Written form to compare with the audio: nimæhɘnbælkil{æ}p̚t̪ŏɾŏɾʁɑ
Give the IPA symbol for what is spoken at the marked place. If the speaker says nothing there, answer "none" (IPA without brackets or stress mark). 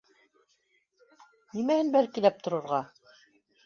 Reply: æ